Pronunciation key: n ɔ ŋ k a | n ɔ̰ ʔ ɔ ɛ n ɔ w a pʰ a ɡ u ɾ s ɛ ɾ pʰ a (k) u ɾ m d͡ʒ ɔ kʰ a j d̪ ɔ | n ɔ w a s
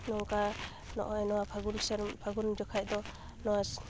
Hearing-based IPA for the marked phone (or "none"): ɡ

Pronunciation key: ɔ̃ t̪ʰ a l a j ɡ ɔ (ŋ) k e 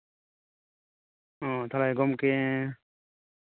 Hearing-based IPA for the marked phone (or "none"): m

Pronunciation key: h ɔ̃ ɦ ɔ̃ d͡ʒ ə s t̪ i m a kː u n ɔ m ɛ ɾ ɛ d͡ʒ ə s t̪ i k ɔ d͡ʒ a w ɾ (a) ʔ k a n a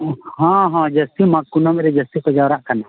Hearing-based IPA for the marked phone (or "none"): a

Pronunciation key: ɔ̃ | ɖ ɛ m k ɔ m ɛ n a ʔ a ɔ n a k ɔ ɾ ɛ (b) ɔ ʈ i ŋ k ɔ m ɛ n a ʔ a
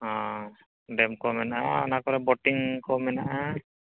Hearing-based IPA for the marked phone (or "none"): b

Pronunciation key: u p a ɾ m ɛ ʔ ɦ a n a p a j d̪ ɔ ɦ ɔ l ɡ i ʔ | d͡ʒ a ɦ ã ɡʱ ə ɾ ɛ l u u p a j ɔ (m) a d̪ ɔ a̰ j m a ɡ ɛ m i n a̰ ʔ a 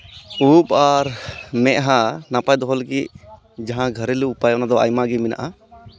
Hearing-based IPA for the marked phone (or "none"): n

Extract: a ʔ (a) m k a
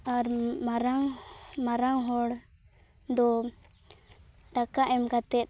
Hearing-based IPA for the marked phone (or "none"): ɛ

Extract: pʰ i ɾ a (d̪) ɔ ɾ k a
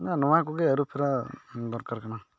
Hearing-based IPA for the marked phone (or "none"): d̪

